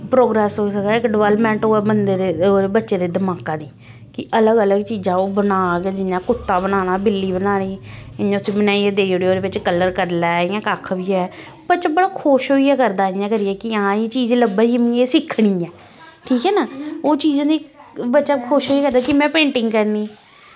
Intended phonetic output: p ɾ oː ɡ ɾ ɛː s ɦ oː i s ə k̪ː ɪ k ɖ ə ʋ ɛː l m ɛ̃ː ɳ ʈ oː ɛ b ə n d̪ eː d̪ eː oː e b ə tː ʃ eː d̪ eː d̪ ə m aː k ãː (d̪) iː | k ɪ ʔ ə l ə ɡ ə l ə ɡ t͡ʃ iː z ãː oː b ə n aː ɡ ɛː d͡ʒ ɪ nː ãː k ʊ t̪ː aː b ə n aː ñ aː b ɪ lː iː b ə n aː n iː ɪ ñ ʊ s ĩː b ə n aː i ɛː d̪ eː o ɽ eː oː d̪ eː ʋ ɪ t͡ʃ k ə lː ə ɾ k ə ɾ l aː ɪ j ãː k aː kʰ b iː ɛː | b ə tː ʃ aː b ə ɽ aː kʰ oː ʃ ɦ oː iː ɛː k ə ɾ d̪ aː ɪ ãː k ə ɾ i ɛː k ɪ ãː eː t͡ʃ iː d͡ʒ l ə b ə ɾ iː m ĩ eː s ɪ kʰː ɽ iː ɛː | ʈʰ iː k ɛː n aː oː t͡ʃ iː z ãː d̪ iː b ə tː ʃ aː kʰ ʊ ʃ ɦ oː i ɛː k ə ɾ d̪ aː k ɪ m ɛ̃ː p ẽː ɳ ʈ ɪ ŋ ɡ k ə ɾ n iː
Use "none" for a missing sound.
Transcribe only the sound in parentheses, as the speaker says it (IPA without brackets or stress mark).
d̪